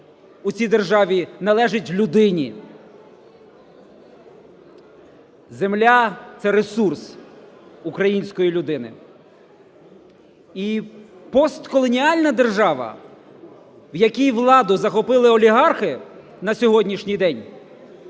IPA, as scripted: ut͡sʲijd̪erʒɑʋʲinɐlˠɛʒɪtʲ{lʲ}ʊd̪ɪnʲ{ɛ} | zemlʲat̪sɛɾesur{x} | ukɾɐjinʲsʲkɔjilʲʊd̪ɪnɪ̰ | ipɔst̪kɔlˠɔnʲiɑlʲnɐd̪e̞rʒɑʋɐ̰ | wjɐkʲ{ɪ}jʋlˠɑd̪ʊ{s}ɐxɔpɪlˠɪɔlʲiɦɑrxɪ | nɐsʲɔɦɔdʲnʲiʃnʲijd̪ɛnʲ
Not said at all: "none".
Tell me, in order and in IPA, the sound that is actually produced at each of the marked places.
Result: lʲ, i, s, i, z

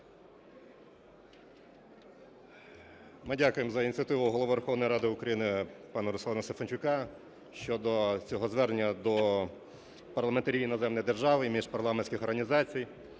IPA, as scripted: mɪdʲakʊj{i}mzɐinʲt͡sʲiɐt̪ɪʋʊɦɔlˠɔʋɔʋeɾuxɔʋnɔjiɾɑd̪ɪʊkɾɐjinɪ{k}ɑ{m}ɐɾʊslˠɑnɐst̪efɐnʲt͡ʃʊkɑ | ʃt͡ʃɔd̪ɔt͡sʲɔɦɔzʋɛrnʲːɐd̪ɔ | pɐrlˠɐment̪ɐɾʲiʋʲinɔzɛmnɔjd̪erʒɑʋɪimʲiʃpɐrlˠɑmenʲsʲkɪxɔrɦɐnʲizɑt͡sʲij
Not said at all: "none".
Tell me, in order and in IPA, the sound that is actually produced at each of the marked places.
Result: e, p, n

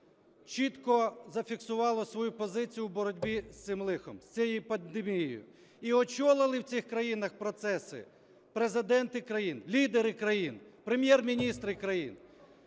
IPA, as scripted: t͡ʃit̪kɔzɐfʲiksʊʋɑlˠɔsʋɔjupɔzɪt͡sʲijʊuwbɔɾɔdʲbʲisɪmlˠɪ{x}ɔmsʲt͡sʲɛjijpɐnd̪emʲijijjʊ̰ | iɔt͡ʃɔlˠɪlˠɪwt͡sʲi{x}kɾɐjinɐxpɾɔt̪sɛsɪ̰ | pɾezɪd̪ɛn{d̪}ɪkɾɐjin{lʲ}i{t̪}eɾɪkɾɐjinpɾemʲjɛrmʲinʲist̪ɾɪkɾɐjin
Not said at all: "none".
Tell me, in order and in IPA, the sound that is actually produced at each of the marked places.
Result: x, x, t̪, lʲ, d̪

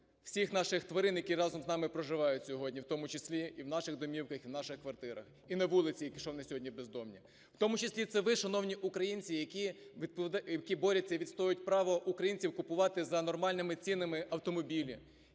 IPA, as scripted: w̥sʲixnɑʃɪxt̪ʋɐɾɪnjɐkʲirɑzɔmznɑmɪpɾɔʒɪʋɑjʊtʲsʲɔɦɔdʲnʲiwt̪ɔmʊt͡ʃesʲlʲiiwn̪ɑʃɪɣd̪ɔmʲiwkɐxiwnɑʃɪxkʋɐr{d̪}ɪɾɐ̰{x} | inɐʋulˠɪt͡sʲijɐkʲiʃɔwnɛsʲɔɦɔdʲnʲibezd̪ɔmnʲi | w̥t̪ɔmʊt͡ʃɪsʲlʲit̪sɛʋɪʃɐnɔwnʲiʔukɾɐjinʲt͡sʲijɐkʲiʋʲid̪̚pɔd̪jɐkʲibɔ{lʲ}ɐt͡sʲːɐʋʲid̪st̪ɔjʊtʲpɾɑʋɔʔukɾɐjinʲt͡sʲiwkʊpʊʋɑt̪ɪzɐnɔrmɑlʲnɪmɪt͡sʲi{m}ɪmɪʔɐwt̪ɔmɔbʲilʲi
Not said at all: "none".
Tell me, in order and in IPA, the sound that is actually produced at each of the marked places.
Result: t̪, x, ɾʲ, n

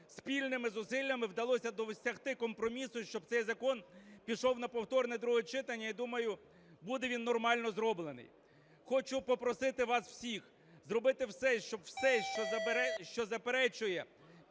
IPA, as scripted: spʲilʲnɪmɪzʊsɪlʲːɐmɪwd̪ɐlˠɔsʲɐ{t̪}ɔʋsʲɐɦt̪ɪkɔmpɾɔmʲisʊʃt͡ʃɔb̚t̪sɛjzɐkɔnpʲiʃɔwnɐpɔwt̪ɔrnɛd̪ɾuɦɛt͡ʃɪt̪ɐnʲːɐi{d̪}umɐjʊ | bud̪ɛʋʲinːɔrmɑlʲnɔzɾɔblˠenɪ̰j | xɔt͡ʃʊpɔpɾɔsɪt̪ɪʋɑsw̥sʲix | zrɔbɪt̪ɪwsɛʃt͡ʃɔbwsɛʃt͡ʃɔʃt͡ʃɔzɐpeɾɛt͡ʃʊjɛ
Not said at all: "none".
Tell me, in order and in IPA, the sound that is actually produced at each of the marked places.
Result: d̪, d̪

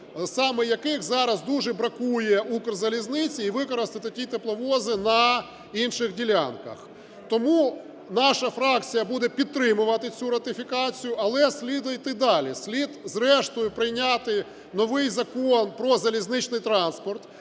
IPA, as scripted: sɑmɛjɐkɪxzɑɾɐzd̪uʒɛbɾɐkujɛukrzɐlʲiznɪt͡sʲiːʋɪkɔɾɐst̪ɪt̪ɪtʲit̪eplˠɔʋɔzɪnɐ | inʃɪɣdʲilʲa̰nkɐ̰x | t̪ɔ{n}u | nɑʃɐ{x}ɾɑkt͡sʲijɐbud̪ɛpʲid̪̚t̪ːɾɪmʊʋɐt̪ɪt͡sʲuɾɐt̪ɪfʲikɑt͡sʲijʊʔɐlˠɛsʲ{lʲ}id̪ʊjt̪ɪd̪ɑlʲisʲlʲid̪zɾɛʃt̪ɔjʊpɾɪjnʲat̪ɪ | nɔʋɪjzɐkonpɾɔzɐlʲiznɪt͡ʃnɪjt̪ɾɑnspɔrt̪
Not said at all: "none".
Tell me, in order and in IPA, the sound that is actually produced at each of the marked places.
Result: m, f, lʲ

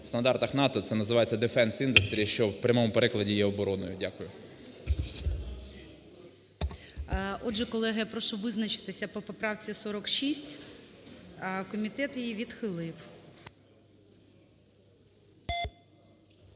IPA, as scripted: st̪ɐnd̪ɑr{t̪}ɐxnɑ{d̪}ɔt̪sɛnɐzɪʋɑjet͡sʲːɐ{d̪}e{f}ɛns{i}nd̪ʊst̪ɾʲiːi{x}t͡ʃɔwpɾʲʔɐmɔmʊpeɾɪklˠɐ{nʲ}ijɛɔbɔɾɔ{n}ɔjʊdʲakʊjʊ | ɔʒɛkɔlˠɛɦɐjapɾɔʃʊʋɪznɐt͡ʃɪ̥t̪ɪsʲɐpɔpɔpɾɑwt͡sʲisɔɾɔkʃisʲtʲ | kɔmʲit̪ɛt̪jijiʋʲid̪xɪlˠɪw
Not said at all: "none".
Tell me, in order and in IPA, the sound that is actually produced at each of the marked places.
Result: t̪, t̪, d̪, f, i, ʃ, dʲ, n

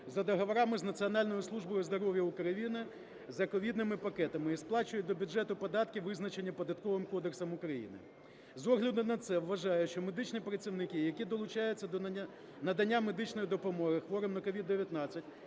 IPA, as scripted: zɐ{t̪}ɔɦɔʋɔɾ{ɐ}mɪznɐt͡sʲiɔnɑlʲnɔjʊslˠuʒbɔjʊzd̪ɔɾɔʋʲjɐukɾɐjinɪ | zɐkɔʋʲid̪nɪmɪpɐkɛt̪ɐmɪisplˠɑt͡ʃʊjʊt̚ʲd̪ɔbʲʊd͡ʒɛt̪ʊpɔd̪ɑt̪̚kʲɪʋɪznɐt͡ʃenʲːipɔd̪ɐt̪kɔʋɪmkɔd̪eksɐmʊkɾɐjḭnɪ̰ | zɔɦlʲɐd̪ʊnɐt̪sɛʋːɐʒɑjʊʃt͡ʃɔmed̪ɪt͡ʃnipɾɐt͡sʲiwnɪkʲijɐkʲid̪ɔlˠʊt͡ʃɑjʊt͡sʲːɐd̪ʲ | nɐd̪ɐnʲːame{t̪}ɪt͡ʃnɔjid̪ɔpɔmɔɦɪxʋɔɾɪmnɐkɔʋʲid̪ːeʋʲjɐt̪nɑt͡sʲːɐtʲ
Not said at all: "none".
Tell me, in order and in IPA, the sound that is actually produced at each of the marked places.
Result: d̪, ɑ, d̪

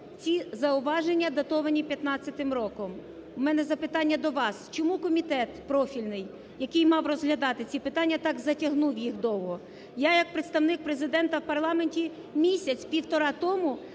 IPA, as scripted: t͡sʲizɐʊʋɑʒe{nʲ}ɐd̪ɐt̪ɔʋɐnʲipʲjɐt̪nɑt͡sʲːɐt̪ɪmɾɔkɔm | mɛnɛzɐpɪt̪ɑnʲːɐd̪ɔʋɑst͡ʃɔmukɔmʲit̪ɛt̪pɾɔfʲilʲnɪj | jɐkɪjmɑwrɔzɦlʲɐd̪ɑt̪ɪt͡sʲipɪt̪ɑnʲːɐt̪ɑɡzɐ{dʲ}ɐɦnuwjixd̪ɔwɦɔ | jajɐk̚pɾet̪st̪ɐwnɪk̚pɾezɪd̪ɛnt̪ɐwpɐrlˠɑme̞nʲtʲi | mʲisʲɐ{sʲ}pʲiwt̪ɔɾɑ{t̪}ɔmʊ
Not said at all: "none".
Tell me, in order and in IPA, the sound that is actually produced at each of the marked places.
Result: nʲː, tʲ, t͡sʲ, t̪

